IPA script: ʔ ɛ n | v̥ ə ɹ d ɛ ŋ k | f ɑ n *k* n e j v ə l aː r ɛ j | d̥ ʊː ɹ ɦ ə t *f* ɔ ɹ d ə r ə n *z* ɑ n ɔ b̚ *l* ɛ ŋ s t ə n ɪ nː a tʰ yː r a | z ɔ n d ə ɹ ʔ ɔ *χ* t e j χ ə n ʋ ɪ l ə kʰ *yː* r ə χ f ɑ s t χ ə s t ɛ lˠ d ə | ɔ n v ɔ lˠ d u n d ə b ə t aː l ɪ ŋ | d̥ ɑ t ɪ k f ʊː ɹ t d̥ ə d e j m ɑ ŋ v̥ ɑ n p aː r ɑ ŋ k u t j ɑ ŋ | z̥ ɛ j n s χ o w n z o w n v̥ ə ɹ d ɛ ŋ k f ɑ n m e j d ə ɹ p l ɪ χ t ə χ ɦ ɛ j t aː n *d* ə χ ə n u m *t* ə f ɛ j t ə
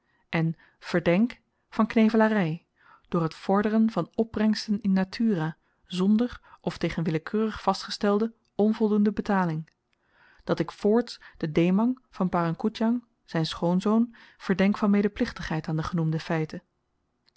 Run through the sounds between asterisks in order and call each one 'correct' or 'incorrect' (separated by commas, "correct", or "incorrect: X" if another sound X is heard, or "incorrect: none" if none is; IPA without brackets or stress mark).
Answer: correct, correct, incorrect: v, incorrect: r, incorrect: f, incorrect: øː, correct, incorrect: d